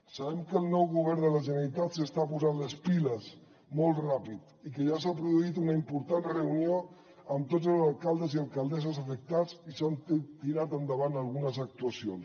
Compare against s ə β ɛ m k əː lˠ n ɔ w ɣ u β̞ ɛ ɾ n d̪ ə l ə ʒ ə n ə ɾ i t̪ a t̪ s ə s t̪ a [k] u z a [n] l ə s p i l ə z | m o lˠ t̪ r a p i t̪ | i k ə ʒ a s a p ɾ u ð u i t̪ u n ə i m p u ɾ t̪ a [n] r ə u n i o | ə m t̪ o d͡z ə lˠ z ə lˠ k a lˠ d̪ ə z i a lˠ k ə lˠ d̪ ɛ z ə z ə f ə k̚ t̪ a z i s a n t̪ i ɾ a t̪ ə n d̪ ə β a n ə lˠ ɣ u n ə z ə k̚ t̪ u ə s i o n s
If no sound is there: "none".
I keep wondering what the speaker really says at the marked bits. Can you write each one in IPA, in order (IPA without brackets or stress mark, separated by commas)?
p, n, n